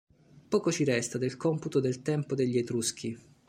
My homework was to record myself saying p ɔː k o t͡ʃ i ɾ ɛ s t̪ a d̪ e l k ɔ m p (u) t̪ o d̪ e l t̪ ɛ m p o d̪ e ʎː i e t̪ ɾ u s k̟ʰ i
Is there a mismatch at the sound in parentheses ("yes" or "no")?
no